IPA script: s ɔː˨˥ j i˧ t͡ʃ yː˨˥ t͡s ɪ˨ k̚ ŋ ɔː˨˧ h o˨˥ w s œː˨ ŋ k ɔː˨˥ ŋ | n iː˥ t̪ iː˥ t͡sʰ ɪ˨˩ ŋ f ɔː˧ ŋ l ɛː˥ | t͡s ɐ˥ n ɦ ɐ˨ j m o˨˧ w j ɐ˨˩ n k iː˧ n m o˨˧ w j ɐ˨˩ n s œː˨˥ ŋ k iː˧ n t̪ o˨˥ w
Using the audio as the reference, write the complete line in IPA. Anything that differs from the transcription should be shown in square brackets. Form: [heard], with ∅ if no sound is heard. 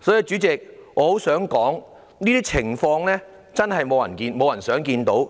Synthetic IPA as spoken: s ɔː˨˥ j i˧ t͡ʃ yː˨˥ t͡s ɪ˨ k̚ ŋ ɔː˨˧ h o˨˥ w s [œː˨˥] ŋ k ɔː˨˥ ŋ | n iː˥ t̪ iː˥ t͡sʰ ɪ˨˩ ŋ f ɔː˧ ŋ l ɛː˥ | t͡s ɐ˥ n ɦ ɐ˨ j m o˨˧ w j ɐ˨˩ n k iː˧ n m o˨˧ w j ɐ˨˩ n s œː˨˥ ŋ k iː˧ n t̪ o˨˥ w